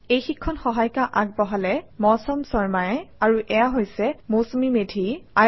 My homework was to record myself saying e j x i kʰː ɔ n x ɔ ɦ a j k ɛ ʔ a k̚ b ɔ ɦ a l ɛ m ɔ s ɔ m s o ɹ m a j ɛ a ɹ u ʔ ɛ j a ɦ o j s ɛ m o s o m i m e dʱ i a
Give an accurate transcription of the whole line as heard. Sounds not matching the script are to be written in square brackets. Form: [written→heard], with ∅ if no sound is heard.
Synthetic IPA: e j x i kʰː ɔ n x ɔ ɦ a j k [ɛ→a] ʔ a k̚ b ɔ ɦ a l ɛ m ɔ s ɔ m s [o→ɔ] ɹ m a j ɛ a ɹ u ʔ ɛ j a ɦ o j s ɛ m o s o m i m e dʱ i a